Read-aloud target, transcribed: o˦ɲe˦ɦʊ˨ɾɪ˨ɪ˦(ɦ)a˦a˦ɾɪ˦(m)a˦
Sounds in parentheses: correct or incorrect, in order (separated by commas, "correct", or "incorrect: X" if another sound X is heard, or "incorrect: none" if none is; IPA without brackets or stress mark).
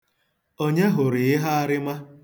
correct, correct